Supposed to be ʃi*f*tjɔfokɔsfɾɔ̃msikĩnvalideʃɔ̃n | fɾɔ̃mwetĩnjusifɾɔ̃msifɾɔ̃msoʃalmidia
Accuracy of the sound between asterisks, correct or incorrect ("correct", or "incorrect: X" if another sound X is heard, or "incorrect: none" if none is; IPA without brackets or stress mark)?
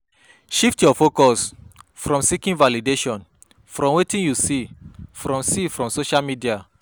correct